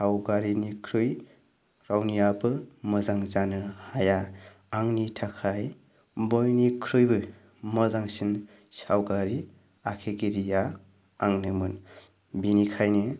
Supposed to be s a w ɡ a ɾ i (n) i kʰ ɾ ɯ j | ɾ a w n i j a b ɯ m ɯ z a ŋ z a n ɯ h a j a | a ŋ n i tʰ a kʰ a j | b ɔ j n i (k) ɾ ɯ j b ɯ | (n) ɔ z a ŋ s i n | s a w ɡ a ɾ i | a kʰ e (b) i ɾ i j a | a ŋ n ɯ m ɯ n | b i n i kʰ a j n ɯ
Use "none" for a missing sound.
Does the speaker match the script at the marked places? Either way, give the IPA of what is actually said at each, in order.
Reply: n, kʰ, m, ɡ

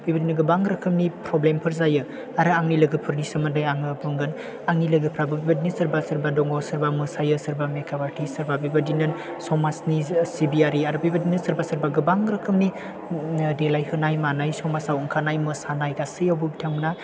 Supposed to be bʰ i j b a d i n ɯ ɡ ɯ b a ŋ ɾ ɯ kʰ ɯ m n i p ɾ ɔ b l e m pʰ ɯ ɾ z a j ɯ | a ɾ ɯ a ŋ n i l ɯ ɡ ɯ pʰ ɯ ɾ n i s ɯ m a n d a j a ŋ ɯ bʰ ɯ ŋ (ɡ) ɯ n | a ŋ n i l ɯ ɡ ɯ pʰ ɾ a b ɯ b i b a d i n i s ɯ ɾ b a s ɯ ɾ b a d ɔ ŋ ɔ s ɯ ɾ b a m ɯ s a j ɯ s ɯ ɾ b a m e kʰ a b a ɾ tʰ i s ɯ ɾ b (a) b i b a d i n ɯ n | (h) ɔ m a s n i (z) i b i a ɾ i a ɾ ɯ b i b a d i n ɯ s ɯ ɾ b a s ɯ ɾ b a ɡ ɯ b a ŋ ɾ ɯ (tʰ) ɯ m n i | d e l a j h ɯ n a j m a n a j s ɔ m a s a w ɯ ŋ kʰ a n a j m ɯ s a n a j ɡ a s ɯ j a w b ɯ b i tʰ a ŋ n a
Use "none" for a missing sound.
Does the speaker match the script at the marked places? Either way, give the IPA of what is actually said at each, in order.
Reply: ɡ, a, s, s, kʰ

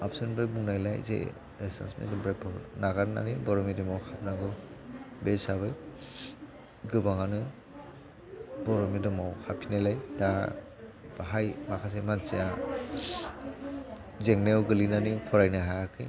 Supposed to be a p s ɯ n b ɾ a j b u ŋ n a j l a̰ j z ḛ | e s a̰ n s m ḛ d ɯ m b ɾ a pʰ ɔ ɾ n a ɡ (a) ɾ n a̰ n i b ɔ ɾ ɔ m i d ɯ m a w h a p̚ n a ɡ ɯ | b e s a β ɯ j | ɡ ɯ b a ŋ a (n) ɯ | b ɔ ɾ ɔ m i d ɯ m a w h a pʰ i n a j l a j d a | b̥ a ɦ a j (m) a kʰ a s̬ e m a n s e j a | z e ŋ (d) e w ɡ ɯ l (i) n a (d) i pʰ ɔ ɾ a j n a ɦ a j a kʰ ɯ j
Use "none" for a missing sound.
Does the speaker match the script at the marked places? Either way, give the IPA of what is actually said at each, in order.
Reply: a, n, m, n, i, n

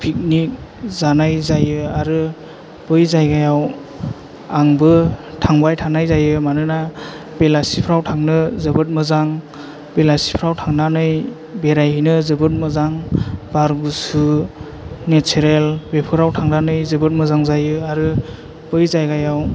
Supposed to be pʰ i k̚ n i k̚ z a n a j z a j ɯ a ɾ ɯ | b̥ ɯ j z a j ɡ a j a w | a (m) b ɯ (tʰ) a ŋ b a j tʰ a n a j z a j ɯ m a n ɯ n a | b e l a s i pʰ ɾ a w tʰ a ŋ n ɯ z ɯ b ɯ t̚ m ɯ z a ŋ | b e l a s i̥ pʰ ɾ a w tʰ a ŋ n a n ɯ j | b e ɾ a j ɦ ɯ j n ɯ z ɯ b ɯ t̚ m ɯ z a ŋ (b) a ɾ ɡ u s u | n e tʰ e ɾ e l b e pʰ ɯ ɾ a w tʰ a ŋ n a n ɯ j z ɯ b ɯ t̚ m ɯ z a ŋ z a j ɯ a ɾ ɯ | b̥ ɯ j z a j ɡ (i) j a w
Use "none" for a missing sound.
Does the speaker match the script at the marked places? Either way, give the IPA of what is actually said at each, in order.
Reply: ŋ, tʰ, b, a

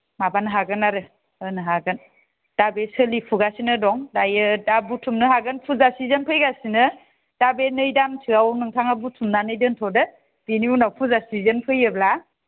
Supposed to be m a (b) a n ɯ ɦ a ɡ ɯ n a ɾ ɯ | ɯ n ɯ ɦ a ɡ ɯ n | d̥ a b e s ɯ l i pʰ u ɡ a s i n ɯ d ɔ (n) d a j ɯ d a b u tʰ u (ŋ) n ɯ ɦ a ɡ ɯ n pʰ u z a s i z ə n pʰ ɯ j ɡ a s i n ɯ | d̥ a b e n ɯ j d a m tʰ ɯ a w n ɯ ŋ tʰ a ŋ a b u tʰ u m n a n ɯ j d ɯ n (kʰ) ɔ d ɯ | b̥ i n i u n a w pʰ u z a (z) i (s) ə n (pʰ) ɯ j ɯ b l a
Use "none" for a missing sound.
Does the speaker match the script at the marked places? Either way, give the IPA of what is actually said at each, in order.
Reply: b, ŋ, m, tʰ, s, z, pʰ

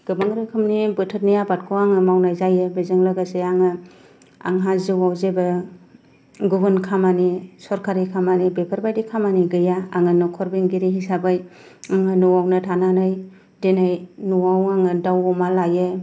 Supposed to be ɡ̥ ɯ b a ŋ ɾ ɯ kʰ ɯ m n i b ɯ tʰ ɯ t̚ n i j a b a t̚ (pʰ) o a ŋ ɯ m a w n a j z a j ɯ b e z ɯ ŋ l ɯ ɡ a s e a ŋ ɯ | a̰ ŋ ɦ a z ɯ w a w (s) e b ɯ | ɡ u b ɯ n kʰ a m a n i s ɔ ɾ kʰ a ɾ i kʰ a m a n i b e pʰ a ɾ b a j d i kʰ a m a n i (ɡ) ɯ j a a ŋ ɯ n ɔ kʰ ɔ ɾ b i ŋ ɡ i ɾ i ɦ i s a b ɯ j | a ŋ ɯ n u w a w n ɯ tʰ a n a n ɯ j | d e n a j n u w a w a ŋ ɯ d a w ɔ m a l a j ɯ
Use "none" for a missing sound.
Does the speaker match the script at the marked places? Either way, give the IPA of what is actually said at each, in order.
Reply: kʰ, z, ɡ

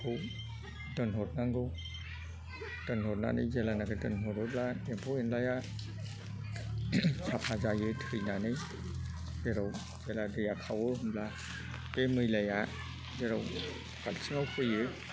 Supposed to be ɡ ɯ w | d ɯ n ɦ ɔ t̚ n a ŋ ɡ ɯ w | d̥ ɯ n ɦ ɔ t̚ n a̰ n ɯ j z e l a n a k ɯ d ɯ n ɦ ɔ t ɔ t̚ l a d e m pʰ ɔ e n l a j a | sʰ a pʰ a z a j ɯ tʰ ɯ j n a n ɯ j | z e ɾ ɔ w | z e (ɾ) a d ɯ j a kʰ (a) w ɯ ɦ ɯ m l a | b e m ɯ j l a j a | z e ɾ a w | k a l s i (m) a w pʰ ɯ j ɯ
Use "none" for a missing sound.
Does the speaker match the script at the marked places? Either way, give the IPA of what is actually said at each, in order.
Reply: l, a, ŋ

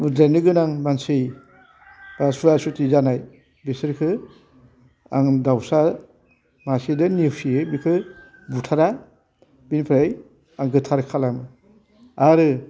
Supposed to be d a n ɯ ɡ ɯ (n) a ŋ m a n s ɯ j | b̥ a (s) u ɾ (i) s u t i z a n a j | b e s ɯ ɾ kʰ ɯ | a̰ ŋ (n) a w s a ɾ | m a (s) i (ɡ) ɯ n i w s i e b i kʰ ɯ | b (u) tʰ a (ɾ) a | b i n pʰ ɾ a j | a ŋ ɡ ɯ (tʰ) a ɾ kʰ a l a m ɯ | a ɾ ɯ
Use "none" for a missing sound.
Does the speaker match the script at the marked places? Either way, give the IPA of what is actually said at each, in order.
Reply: n, s, a, d, s, d, u, ɾ, tʰ

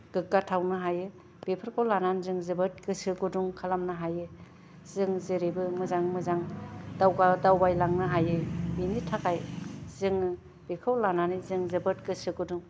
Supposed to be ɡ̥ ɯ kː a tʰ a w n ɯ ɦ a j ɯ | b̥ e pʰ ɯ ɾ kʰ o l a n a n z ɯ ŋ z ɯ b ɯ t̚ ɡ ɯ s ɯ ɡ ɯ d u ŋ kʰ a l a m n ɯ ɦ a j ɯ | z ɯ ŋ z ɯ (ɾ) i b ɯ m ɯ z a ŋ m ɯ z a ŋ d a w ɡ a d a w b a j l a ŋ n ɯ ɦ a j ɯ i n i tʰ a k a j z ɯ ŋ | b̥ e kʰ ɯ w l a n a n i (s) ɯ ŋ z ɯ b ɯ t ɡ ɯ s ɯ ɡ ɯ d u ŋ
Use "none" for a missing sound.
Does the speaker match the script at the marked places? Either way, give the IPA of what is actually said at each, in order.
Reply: ɾ, z

